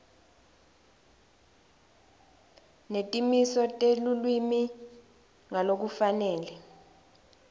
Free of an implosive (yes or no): yes